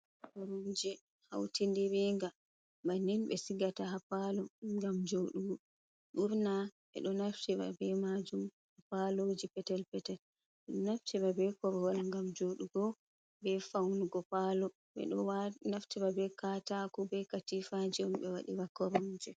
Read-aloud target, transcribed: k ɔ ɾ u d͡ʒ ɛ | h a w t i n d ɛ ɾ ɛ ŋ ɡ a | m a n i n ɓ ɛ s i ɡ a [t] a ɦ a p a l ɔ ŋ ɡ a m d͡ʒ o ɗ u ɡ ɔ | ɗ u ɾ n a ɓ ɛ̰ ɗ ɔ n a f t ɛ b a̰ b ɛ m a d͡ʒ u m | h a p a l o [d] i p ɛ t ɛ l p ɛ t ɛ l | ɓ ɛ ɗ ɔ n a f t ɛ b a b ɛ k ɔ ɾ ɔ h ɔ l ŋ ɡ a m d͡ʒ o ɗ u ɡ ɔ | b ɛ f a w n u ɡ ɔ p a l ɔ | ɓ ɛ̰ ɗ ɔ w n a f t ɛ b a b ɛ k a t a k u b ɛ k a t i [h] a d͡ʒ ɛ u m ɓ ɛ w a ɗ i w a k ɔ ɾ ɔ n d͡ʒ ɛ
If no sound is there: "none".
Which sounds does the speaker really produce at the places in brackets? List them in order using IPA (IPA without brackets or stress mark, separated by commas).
t, d͡ʒ, f